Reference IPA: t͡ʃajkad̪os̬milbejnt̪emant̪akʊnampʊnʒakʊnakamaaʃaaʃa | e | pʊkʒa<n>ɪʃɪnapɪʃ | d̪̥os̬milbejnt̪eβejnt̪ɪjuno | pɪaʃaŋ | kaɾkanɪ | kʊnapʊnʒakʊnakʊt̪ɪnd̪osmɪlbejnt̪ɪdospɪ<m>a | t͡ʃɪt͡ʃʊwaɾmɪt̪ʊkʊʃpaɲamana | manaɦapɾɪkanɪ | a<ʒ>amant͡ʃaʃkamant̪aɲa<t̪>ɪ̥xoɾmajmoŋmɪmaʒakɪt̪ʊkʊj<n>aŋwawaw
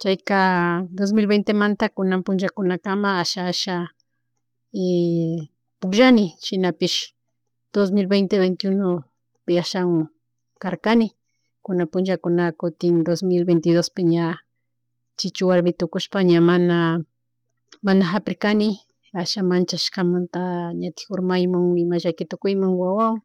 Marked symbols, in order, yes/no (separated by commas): yes, no, no, yes, no